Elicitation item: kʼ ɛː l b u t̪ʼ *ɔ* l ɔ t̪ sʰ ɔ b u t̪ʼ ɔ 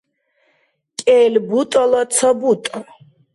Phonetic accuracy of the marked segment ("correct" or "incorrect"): correct